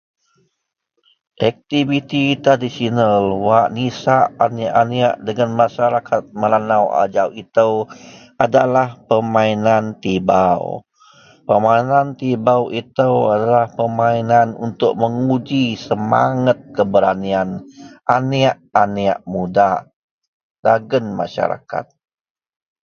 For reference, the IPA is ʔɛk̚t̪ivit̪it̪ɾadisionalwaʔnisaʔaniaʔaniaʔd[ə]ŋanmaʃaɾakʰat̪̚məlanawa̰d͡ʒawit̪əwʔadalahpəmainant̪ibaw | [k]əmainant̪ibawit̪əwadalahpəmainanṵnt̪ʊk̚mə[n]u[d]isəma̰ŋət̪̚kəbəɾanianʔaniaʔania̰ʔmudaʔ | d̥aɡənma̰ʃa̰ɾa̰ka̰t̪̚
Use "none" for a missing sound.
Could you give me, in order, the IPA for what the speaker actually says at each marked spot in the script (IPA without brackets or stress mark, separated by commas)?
ə, p, ŋ, d͡ʒ